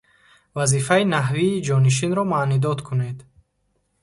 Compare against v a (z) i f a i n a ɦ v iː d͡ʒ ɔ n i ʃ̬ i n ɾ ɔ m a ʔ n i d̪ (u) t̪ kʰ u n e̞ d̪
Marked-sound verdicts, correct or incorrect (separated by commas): correct, incorrect